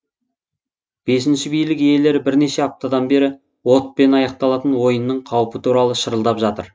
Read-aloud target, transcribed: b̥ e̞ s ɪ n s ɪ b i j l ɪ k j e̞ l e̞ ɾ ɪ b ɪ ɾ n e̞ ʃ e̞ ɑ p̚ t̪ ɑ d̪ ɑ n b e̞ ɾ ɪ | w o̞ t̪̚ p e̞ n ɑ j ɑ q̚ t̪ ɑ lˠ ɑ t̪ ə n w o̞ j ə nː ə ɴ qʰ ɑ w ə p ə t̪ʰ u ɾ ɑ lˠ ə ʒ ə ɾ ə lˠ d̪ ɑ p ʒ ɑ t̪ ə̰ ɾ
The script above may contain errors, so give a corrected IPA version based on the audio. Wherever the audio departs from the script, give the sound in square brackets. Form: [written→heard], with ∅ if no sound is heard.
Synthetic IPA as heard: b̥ e̞ s ɪ n [s→ʃ] ɪ b i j l ɪ k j e̞ l e̞ ɾ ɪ b ɪ ɾ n e̞ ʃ e̞ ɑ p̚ t̪ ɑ d̪ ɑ n b e̞ ɾ ɪ | w o̞ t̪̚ p e̞ n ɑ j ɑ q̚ t̪ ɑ lˠ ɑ t̪ ə n w o̞ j ə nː ə ɴ qʰ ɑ w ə p ə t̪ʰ u ɾ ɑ lˠ ə [ʒ→ʃ] ə ɾ ə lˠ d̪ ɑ p ʒ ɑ t̪ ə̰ ɾ